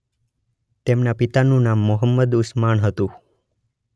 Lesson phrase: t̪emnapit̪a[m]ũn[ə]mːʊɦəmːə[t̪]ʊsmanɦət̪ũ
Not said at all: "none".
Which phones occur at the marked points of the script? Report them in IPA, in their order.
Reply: n, a, d̪

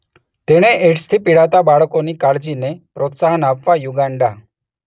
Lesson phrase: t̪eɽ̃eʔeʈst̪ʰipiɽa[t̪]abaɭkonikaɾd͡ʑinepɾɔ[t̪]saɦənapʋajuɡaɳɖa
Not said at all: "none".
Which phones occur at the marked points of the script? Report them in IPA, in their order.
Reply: t̪, t̪

